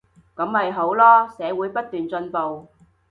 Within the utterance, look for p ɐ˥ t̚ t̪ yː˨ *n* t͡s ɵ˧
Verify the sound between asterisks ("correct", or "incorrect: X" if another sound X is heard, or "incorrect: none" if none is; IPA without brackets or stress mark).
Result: correct